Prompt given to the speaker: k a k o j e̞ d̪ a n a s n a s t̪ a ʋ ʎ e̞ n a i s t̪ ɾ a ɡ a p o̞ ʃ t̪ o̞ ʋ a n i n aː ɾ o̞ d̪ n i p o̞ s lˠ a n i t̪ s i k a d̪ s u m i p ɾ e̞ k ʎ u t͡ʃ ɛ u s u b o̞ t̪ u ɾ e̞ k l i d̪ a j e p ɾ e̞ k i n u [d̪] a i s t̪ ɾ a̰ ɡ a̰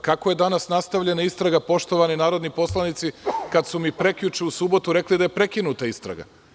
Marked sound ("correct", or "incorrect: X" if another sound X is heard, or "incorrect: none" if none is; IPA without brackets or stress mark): incorrect: t̪